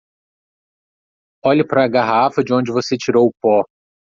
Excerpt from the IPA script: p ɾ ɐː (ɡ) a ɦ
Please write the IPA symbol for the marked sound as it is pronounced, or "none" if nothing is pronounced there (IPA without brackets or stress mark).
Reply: ɡ